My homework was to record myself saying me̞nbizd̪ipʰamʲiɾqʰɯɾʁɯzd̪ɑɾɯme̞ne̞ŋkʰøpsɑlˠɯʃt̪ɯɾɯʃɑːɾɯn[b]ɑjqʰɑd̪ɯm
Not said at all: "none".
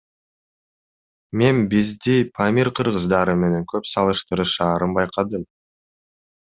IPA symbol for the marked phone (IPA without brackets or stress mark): b